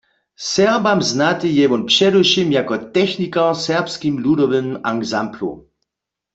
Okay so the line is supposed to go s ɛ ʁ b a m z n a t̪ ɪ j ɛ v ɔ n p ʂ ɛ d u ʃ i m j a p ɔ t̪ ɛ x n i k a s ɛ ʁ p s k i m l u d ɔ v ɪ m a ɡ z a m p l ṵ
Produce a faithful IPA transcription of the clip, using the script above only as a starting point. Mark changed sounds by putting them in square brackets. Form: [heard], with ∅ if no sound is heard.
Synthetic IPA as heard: s ɛ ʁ b a m z n a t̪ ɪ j ɛ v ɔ n p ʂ ɛ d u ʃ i m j a [k] ɔ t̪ ɛ x n i k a s ɛ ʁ p s k i m l u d ɔ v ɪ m a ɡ z a m p l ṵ